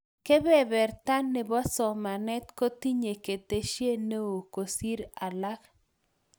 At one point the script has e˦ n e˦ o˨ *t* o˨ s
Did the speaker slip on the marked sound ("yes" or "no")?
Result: yes